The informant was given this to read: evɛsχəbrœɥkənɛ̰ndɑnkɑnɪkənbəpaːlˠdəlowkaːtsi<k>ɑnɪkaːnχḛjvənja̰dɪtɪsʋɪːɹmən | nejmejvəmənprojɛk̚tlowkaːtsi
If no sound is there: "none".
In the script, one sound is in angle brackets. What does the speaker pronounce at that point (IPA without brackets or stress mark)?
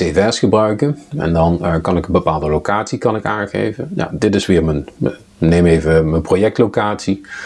k